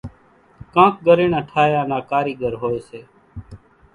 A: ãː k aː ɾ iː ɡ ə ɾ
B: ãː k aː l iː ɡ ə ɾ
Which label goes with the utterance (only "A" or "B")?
A